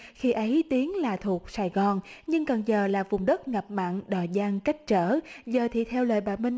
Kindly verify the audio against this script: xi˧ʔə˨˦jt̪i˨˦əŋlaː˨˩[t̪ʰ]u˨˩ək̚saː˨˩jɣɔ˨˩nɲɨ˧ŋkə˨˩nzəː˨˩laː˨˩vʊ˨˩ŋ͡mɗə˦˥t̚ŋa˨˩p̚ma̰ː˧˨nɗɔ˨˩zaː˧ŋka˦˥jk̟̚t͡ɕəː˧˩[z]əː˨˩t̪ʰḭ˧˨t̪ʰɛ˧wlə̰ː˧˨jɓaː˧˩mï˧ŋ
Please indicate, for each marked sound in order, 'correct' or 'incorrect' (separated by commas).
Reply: correct, correct